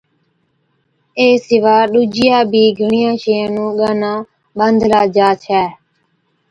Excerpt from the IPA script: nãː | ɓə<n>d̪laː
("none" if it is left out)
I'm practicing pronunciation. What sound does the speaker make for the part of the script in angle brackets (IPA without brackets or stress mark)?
n